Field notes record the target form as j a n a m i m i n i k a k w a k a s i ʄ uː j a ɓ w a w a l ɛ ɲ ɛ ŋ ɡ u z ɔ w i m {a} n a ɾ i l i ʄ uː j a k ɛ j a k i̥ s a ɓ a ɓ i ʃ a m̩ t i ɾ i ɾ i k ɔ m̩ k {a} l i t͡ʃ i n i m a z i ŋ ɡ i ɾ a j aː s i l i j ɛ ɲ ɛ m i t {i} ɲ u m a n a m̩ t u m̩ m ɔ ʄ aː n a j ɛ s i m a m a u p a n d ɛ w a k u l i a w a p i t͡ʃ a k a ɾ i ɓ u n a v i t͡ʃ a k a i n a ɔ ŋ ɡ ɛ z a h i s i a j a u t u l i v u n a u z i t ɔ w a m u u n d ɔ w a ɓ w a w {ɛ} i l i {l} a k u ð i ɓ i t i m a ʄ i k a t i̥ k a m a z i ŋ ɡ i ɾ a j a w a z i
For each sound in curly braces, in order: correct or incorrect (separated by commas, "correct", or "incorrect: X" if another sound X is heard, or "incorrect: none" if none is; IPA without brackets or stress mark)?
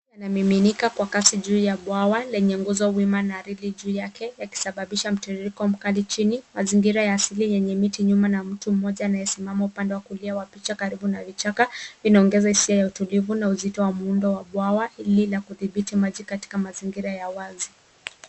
correct, correct, correct, incorrect: a, correct